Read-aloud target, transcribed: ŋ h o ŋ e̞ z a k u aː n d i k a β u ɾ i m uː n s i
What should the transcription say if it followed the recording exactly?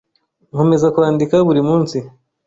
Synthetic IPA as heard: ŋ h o m e̞ z a k u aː n d i k a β u ɾ i m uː n s i